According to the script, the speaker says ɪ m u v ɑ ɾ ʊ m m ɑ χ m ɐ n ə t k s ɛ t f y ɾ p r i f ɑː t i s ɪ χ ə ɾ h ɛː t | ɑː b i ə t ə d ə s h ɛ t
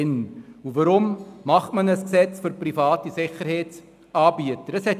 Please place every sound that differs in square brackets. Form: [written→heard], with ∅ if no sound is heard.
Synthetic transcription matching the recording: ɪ [m→n] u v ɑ ɾ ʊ m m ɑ χ m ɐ n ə [t→s] k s ɛ [t→t͡s] f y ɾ p r i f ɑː t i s ɪ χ ə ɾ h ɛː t | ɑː b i ə t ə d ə s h ɛ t